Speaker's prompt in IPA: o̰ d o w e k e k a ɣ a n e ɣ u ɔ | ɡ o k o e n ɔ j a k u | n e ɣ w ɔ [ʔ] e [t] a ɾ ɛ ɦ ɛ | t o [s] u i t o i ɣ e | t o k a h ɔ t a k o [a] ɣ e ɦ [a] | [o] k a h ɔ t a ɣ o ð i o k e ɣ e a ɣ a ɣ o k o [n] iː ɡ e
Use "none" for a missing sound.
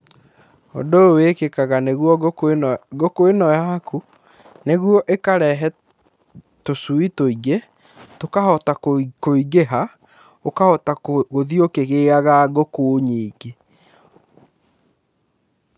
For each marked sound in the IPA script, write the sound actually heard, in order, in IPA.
ʔ, k, s, i, a, o, ɲ

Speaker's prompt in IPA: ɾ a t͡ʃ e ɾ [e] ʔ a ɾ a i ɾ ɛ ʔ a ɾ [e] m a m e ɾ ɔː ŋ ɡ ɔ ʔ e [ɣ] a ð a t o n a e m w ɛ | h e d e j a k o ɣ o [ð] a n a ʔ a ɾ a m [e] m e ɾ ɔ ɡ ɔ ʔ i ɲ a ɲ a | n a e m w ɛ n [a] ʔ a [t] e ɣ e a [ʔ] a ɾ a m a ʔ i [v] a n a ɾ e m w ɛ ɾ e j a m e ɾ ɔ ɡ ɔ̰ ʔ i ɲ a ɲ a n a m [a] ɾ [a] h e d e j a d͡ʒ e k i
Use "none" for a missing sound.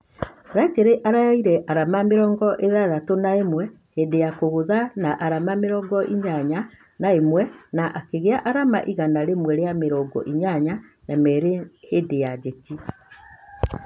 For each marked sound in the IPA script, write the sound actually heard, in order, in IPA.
e, a, ð, ð, a, a, k, ʔ, ɣ, ɛ, e

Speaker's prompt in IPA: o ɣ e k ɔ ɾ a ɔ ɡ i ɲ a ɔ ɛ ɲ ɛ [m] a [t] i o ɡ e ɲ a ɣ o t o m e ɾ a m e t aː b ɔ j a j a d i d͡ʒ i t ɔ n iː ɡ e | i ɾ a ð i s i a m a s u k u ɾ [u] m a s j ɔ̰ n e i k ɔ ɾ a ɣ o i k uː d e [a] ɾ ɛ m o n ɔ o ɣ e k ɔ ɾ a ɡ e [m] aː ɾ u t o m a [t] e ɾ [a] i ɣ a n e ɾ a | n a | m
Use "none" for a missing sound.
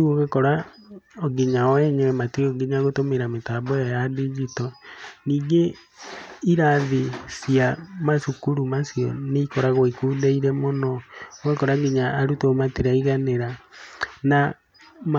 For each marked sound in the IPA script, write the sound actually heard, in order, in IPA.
m, t, u, i, ɲ, t, a

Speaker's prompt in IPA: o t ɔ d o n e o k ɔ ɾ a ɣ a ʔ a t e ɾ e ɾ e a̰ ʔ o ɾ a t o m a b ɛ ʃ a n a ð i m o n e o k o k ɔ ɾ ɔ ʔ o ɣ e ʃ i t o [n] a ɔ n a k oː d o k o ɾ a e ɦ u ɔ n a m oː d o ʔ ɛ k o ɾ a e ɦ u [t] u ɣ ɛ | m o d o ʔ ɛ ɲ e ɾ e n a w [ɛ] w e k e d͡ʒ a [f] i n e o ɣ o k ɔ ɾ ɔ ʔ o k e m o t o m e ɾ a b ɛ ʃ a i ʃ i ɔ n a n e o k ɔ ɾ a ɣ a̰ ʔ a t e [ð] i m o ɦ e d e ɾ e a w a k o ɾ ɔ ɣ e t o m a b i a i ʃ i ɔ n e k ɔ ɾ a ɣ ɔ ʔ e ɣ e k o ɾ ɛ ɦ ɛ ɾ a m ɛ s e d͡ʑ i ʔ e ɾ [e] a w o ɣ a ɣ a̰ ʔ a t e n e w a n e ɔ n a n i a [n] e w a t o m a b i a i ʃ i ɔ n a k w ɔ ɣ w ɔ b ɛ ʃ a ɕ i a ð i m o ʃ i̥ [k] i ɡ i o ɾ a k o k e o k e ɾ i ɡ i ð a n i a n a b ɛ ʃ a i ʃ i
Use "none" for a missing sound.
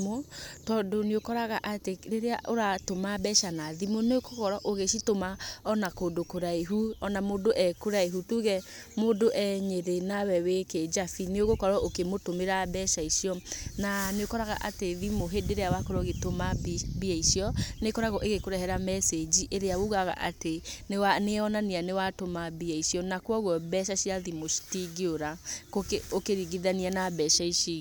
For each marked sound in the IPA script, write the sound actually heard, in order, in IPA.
m, t, ɛ, f, ð, e, n, t

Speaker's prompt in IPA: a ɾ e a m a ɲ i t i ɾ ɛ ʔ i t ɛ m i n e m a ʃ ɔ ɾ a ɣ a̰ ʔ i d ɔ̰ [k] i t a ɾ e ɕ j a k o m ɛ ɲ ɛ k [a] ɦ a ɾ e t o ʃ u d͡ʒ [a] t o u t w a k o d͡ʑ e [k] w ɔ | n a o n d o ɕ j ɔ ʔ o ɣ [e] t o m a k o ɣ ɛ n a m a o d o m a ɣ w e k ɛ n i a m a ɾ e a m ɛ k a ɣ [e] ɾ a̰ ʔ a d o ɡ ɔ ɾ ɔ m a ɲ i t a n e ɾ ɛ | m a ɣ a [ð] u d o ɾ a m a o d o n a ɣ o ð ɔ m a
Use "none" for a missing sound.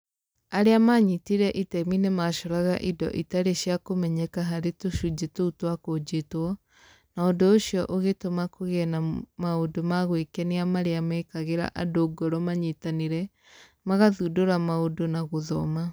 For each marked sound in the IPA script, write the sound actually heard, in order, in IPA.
ʔ, a, e, t, e, e, ð

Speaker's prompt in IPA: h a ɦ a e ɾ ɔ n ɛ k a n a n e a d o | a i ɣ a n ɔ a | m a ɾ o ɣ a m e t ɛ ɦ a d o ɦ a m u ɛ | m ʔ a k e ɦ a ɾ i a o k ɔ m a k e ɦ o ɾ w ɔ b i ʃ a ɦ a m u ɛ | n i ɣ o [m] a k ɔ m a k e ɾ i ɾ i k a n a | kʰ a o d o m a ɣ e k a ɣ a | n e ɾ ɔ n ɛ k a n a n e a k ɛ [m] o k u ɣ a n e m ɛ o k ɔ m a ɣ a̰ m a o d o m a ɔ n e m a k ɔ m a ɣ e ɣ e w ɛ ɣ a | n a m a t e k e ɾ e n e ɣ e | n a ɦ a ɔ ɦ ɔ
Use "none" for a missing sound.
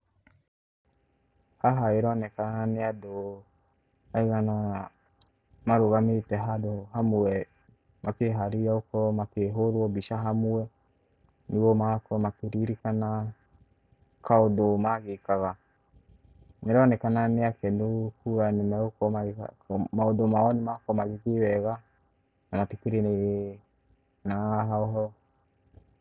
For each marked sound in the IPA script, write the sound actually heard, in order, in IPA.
m, n

